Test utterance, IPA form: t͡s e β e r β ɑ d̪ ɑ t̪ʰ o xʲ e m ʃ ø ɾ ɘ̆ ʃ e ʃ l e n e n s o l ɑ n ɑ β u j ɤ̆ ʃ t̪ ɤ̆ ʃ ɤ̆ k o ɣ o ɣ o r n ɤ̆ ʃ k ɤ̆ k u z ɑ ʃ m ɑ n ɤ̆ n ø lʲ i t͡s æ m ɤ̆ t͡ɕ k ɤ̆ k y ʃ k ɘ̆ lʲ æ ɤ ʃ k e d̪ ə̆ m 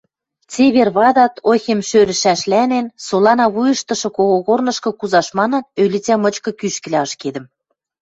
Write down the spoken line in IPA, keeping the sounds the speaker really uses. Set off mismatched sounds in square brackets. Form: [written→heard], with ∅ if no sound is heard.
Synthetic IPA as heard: t͡s e β e r β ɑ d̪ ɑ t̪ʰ o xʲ e m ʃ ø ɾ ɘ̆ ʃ [e→æ] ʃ l [e→æ] n e n s o l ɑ n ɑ β u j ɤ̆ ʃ t̪ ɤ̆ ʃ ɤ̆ k o ɣ o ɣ o r n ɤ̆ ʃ k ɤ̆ k u z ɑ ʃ m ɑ n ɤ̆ n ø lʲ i t͡s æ m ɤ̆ t͡ɕ k ɤ̆ k y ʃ k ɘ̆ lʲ æ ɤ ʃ k e d̪ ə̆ m